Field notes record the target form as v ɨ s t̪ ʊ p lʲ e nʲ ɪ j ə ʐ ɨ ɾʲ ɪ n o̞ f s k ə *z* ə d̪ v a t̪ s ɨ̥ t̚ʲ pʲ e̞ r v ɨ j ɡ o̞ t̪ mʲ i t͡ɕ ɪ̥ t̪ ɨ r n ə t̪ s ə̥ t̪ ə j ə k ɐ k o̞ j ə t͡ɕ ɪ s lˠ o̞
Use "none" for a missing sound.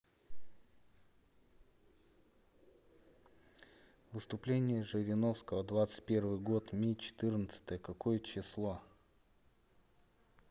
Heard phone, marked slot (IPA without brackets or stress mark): v